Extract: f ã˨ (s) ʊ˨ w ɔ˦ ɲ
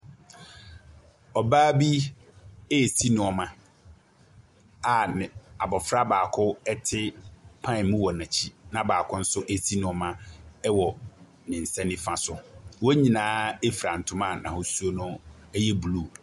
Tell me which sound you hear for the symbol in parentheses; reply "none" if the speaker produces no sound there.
s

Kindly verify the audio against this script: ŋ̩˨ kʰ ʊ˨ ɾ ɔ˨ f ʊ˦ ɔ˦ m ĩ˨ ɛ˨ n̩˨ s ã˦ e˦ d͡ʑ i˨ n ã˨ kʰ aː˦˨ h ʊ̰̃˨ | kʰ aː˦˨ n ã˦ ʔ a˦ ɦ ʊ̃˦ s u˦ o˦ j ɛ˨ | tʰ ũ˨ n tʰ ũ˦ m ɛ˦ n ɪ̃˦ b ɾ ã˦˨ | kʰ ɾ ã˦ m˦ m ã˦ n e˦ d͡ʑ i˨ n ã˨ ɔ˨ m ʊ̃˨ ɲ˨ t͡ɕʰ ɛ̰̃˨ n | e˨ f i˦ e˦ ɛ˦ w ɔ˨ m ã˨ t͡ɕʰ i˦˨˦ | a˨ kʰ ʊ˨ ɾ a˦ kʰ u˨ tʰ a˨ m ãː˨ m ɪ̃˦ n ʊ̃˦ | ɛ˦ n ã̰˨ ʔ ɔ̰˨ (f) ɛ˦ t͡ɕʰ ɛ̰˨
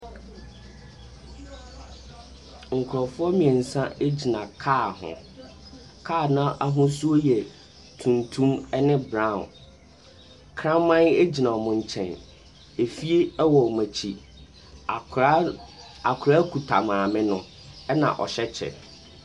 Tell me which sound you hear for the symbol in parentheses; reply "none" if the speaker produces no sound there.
ɕ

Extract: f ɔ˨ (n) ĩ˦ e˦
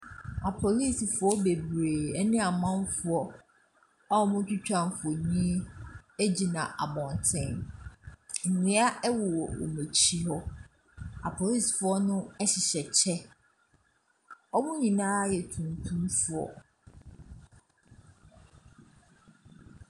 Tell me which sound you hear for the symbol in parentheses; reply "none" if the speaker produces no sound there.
ɲ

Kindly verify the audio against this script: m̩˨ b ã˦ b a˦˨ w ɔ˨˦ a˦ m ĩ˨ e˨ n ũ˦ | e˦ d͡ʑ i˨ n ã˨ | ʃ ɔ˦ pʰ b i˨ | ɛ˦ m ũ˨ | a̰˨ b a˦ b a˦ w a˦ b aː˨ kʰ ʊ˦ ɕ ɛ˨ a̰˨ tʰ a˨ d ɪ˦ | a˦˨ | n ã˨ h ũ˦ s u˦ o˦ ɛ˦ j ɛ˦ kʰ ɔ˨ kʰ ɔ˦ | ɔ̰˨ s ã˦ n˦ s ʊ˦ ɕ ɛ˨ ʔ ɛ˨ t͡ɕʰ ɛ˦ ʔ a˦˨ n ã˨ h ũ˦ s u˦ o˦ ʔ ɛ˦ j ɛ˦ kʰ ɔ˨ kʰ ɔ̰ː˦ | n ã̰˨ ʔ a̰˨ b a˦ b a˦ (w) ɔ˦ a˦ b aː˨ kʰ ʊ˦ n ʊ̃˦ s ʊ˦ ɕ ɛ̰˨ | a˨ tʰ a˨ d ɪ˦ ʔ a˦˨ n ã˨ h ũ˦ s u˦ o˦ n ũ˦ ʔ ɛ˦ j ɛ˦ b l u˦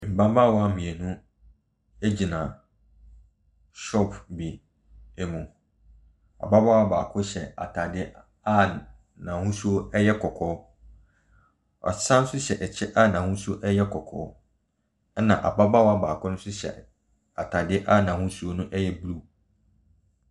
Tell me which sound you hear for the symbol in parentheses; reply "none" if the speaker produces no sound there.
w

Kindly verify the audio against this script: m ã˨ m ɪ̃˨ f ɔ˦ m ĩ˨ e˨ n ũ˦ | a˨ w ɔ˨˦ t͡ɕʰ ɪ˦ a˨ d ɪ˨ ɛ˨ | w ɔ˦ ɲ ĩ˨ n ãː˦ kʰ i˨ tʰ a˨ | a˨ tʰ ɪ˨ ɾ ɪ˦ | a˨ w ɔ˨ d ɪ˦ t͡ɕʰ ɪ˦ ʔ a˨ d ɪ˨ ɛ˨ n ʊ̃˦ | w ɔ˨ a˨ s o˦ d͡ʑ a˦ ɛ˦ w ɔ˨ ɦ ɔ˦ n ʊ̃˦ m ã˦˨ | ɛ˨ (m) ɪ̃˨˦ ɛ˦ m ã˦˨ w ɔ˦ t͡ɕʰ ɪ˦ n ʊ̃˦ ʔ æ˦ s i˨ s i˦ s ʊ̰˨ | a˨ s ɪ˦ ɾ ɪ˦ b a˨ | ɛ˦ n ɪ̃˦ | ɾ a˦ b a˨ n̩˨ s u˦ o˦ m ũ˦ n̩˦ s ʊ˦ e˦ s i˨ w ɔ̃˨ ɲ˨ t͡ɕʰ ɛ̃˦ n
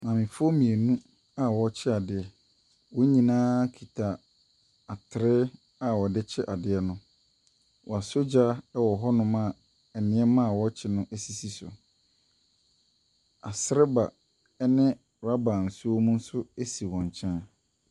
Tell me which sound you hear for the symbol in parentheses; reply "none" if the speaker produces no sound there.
n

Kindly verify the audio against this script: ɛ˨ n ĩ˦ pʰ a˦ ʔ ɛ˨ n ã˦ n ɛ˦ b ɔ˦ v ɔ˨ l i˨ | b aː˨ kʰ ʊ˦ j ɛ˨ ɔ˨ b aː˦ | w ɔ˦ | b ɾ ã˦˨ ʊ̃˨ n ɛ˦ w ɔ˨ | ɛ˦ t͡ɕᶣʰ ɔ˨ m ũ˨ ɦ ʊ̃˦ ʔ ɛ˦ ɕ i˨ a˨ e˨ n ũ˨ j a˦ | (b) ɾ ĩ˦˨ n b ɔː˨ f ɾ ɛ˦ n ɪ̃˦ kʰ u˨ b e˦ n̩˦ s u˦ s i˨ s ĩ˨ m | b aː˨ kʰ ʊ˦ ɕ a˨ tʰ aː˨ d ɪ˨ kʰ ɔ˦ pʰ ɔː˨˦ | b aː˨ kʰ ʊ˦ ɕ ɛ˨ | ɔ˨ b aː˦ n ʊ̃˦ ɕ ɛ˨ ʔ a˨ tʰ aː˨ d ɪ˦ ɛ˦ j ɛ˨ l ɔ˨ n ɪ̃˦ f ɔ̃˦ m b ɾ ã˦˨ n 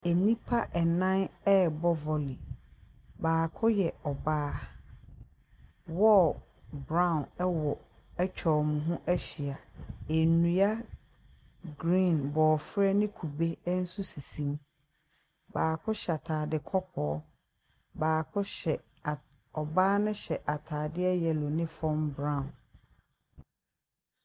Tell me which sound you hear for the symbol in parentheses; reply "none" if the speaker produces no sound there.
ɡ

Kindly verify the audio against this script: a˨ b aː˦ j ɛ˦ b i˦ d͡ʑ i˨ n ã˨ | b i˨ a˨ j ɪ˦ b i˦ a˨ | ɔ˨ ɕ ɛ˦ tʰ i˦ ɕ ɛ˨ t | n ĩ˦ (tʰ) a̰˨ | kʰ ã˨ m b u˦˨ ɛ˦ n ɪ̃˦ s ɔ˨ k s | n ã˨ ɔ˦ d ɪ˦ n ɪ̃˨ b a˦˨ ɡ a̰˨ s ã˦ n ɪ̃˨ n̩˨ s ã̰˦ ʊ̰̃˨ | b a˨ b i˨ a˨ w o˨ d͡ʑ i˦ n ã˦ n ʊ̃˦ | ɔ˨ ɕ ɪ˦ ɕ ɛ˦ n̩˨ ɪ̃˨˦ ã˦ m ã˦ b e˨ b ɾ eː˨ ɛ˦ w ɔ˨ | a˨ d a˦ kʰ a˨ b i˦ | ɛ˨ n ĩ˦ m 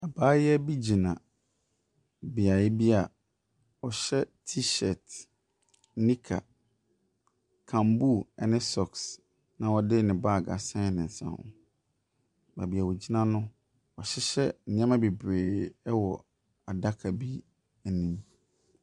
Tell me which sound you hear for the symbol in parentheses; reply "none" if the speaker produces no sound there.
kʰ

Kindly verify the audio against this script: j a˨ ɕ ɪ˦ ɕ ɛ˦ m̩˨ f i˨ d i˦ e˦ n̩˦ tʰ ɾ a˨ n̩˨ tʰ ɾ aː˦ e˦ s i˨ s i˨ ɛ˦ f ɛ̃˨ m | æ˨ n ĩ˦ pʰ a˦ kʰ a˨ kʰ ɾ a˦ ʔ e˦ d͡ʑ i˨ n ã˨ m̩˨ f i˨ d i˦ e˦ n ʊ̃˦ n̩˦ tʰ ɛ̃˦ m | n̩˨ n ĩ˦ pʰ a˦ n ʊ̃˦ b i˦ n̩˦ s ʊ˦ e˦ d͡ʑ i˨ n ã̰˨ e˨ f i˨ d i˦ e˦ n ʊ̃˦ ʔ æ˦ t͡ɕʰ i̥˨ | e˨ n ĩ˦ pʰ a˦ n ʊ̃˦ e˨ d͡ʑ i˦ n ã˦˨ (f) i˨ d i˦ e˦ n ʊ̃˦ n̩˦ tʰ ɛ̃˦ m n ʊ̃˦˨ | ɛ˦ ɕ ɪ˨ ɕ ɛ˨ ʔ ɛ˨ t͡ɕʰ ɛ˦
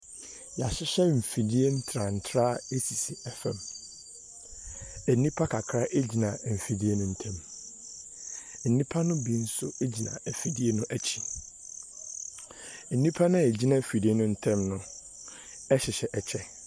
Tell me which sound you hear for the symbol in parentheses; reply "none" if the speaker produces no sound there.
f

